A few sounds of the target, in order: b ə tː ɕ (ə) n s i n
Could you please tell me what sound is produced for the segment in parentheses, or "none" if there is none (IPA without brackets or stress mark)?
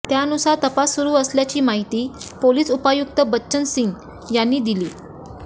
ə